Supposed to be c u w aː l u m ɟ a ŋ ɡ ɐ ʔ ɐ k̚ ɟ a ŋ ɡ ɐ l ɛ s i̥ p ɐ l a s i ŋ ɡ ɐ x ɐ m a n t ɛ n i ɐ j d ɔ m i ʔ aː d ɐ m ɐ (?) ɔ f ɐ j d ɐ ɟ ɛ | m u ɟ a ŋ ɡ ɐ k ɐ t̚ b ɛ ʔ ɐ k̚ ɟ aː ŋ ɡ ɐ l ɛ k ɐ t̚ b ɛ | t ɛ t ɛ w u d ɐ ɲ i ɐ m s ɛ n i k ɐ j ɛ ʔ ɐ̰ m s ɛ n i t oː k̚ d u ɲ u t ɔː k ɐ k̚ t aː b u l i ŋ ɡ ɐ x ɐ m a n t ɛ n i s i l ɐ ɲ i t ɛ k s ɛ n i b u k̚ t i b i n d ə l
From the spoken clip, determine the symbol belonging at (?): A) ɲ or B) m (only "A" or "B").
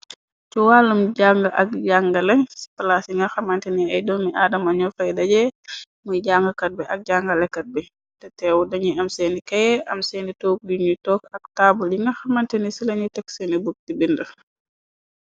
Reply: A